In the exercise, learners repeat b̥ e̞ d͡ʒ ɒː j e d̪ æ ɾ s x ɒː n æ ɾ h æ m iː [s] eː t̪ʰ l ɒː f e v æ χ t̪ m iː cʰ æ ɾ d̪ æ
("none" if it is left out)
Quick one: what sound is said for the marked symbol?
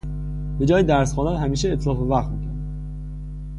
ʃ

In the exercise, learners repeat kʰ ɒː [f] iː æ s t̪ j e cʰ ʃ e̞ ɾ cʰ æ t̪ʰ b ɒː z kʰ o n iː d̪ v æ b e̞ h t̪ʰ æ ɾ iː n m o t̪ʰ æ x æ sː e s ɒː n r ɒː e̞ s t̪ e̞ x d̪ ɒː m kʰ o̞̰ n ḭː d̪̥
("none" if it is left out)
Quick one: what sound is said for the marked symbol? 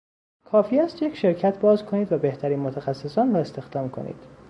f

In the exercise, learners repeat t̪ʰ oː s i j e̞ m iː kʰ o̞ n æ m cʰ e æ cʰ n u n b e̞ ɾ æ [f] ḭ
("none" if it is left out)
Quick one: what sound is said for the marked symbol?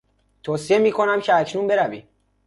v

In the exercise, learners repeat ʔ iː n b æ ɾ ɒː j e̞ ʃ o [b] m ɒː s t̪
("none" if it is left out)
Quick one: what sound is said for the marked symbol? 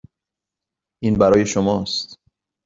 none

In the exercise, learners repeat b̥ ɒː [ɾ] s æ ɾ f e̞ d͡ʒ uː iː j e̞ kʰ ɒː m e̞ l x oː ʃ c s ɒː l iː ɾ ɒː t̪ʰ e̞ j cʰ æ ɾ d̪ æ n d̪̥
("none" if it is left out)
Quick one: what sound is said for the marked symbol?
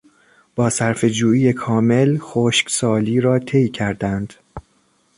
none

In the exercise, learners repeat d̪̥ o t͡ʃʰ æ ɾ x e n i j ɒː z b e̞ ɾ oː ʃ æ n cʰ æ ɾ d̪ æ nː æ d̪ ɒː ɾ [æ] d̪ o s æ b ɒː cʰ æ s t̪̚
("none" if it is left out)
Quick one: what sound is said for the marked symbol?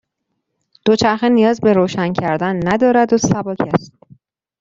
æ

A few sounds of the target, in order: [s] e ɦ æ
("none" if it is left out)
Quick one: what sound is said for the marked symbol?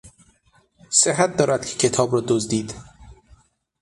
s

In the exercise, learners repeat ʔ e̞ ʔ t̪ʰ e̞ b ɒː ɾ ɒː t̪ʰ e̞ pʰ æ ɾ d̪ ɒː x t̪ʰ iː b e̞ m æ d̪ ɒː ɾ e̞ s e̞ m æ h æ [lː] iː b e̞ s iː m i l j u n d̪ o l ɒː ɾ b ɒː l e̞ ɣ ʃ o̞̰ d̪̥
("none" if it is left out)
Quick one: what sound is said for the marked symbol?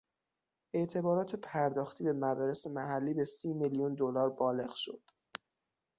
lː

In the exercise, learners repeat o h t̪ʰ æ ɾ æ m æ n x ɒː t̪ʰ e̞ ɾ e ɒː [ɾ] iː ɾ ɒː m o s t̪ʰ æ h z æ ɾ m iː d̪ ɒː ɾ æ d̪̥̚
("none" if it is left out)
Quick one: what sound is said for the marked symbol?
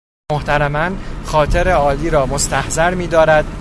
l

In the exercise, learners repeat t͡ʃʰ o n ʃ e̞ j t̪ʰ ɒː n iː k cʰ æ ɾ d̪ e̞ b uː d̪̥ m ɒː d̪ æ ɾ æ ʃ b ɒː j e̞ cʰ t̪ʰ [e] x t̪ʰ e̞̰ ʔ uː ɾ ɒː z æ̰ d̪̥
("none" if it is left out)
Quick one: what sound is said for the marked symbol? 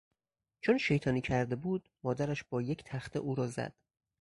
æ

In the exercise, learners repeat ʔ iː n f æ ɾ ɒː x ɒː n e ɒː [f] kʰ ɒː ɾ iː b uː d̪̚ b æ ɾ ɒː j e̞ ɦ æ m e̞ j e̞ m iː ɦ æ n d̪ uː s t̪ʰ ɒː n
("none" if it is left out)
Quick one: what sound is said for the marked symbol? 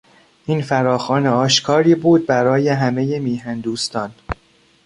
ʃ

